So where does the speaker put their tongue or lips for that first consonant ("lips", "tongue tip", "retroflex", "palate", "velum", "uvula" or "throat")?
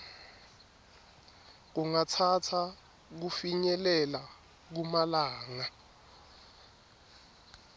velum